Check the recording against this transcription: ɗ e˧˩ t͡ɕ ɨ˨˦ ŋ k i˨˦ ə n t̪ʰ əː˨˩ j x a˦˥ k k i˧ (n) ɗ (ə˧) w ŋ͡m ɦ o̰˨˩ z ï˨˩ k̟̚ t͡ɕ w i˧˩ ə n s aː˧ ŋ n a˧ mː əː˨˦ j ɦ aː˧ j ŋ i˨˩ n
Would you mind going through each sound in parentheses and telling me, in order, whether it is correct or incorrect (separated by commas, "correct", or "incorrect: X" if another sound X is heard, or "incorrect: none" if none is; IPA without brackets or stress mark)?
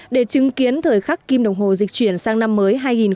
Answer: incorrect: m, incorrect: ə˨˩